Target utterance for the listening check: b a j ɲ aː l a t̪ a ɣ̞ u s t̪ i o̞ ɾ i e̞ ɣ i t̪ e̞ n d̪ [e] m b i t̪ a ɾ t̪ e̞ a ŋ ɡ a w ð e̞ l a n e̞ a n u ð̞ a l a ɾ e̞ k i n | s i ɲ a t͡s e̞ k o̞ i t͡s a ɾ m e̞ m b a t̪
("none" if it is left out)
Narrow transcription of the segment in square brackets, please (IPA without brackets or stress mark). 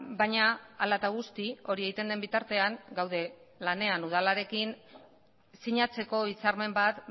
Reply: e